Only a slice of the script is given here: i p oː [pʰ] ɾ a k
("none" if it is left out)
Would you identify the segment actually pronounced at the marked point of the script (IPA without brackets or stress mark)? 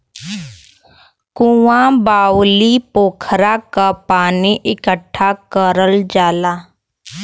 kʰ